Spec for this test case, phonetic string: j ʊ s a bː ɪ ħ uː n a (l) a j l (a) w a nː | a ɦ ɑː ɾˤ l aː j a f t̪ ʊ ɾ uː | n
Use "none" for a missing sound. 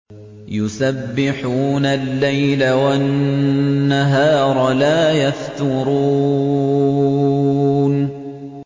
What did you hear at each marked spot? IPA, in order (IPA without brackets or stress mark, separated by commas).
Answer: lː, a